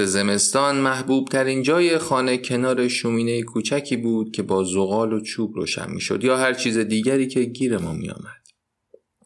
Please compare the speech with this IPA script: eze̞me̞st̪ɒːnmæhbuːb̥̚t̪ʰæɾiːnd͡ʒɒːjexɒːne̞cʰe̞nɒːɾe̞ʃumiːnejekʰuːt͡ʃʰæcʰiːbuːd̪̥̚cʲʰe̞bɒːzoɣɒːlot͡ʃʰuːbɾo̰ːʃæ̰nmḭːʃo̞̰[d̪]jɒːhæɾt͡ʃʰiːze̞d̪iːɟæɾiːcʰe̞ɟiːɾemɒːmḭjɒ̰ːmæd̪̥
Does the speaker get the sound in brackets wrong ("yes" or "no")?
no